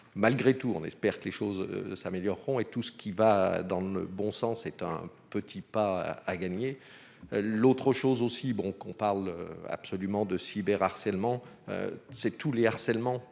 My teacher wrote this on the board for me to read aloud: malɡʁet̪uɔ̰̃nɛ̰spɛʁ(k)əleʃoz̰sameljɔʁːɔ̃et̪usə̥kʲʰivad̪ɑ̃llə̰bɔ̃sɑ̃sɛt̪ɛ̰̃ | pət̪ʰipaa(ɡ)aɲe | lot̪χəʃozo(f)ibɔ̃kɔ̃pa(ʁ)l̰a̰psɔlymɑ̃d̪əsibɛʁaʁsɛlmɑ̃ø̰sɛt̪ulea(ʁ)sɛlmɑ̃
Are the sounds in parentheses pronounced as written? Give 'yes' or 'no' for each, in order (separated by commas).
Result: yes, yes, no, yes, yes